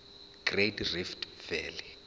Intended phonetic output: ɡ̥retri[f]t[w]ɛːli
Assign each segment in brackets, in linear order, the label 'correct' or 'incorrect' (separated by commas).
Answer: correct, incorrect